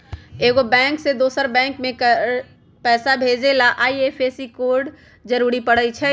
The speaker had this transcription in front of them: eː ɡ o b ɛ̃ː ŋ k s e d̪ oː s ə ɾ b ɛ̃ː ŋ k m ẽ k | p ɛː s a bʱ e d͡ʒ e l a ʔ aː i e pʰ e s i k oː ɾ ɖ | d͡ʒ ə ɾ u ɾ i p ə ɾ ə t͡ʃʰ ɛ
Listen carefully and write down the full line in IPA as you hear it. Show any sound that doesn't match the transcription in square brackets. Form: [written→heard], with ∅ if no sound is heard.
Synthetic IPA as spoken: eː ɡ o b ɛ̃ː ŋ k s e d̪ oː s ə ɾ b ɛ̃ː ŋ k m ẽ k | p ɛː s a bʱ e d͡ʒ e l a ʔ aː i e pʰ e s i k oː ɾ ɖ | d͡ʒ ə ɾ u ɾ i p ə [ɾ→ɽ] ə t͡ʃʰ ɛ

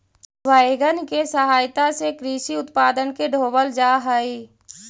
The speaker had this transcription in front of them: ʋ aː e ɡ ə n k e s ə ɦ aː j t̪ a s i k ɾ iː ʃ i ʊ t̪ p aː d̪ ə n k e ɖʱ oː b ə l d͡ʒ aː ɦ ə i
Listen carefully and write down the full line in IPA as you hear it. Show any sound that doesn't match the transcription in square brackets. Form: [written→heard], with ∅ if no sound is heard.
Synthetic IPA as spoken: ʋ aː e ɡ ə n k e s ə ɦ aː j t̪ a s [i→e] k ɾ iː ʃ i ʊ t̪ p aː d̪ ə n k e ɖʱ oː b ə l d͡ʒ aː ɦ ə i

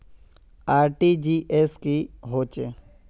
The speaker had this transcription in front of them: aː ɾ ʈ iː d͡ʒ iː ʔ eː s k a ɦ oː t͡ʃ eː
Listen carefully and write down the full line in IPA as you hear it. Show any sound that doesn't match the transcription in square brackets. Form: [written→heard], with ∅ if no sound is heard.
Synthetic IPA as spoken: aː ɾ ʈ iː d͡ʒ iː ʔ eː s k [a→i] ɦ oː t͡ʃ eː

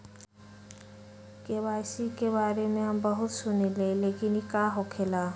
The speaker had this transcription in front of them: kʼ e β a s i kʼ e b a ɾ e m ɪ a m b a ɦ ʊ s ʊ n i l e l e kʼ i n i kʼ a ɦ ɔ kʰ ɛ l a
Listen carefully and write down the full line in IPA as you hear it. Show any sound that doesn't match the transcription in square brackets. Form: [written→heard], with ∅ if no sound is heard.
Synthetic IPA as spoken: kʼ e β a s i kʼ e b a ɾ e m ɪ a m b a ɦ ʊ s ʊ n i l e l e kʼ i n i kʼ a ɦ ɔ kʰ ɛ l a

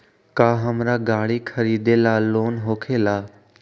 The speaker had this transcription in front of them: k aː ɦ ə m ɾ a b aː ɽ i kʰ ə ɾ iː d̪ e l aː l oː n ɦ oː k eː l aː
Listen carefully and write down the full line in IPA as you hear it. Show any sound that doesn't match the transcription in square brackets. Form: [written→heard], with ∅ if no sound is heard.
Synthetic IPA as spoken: k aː ɦ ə m ɾ a [b→ɡ] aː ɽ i kʰ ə ɾ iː d̪ e l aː l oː n ɦ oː [k→kʰ] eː l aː

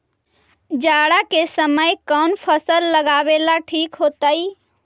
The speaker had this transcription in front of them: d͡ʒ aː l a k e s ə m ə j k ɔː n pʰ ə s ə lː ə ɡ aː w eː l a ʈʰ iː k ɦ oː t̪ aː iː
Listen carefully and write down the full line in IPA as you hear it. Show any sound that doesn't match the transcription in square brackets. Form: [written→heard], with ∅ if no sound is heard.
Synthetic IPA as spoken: d͡ʒ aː [l→ɽ] a k e s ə m ə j k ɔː n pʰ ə s ə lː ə ɡ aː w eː l a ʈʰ iː k ɦ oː t̪ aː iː

